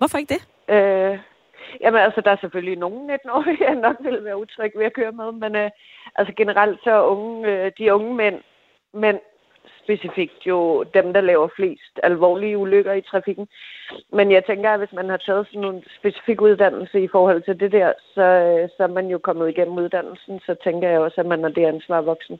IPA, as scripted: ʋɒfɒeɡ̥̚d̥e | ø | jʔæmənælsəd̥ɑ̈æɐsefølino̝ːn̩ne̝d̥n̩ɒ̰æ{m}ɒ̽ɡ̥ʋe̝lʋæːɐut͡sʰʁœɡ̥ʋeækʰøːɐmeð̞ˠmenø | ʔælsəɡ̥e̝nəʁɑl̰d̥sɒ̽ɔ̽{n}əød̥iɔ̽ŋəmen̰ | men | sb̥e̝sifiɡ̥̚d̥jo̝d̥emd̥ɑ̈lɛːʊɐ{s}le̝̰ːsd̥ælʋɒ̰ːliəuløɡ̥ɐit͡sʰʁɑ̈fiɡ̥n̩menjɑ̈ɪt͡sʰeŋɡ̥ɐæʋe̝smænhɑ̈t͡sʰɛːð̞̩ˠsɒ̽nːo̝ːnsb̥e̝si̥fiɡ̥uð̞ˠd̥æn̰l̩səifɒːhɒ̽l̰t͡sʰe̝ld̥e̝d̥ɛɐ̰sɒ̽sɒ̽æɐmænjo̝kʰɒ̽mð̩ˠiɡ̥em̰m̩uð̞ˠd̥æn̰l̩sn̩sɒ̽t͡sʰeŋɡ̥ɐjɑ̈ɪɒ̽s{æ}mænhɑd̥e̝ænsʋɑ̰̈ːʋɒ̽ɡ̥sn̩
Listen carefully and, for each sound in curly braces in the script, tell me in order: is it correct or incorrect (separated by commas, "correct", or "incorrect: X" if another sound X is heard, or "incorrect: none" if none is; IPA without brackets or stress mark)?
incorrect: n, incorrect: ŋ, incorrect: f, correct